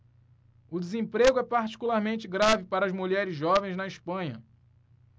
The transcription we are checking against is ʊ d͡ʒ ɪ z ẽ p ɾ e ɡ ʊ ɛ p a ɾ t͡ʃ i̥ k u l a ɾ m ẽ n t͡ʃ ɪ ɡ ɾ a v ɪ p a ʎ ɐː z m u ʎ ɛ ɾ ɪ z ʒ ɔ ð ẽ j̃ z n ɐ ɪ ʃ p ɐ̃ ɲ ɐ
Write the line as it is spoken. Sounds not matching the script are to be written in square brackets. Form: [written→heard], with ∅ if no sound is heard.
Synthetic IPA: ʊ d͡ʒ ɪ z ẽ p ɾ e ɡ ʊ ɛ p a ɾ t͡ʃ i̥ k u l a ɾ m ẽ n t͡ʃ ɪ ɡ ɾ a v ɪ p a [ʎ→ɾ] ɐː z m u ʎ ɛ ɾ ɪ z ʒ ɔ [ð→v] ẽ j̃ z n ɐ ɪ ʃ p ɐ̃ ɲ ɐ